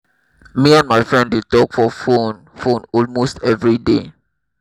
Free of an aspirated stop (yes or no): yes